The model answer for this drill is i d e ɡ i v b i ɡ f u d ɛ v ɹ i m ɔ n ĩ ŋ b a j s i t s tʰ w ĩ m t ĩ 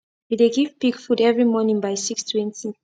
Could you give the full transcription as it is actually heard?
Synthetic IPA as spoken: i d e ɡ i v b i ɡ f u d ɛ v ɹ i m ɔ n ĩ ŋ b a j s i k s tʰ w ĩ n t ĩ